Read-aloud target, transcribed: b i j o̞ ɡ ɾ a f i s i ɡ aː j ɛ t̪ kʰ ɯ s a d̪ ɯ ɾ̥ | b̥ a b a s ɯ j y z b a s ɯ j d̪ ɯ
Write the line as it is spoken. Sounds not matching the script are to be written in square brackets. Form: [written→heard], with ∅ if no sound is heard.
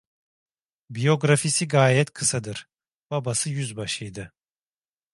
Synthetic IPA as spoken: b i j o̞ ɡ ɾ a f i s i ɡ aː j ɛ t̪ kʰ ɯ s a d̪ ɯ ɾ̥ | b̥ a b a s ɯ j y z b a [s→ʃ] ɯ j d̪ ɯ